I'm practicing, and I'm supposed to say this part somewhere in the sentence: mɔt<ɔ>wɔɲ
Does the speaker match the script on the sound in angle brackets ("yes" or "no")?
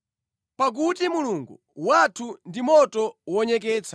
yes